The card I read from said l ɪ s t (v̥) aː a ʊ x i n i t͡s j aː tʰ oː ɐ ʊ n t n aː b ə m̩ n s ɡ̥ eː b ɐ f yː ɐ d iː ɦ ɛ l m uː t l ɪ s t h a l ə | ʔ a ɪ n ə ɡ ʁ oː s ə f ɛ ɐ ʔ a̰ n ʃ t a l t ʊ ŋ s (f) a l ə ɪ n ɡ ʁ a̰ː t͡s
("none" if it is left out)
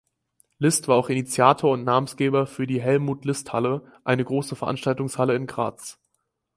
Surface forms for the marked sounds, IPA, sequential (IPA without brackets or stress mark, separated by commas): v̥, h